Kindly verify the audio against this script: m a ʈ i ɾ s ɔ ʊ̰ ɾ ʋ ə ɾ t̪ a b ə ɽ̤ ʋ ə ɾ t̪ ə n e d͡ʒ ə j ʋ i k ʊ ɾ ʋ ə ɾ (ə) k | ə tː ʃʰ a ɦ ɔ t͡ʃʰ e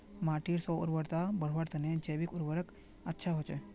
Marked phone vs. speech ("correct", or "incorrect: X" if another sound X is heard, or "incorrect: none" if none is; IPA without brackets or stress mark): correct